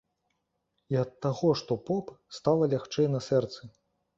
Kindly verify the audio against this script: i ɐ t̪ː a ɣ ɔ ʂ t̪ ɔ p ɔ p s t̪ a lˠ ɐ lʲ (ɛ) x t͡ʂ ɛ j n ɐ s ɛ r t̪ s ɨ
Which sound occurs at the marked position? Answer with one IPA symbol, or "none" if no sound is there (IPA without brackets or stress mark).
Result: a